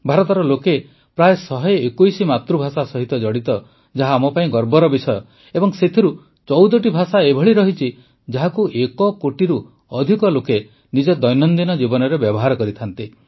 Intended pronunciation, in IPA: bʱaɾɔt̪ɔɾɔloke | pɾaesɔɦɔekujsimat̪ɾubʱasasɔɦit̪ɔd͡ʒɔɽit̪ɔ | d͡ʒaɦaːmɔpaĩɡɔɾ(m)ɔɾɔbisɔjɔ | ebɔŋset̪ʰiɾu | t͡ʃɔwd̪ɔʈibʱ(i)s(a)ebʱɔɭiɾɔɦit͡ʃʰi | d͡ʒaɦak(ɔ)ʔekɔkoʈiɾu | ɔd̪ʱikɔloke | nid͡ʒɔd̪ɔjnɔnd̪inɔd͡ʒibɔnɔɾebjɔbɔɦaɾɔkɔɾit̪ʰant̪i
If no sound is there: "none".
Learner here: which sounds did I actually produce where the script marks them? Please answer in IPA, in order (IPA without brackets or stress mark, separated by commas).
b, a, a, u